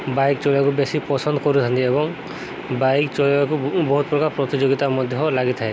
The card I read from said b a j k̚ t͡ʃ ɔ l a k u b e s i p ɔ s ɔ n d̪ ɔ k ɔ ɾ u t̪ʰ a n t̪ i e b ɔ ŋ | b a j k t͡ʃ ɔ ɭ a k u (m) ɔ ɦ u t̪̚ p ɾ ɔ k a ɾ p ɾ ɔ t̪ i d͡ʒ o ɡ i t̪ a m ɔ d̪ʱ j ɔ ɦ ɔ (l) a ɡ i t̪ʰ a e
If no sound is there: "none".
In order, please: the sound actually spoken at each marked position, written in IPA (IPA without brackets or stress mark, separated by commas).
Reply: b, l